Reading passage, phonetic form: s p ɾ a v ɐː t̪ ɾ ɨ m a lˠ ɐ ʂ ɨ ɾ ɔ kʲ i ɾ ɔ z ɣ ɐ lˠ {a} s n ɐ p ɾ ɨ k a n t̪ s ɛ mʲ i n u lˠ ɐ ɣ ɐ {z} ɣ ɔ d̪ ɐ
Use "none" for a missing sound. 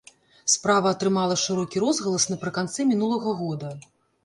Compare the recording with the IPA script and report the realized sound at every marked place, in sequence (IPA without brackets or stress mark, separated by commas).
ɐ, none